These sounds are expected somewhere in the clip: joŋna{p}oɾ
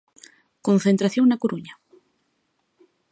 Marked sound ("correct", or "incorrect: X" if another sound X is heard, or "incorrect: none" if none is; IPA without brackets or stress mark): incorrect: k